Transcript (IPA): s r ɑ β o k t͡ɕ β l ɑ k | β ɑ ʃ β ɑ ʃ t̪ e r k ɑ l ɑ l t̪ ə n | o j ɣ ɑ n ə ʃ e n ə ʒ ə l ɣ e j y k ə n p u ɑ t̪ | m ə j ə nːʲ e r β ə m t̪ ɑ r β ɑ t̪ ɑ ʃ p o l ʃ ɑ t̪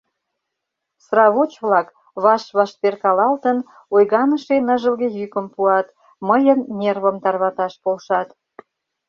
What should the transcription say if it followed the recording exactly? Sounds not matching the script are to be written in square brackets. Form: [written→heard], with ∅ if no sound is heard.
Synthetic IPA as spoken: s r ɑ β o [k→∅] t͡ɕ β l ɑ k | β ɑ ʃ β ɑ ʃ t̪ e r k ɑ l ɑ l t̪ ə n | o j ɣ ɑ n ə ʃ e n ə ʒ ə l ɣ e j y k ə [n→m] p u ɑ t̪ | m ə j ə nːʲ e r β ə m t̪ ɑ r β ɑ t̪ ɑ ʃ p o l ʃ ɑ t̪